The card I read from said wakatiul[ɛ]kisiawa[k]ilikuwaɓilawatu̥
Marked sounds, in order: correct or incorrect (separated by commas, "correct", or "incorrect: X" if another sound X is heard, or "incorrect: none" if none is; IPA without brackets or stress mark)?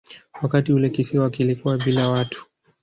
correct, correct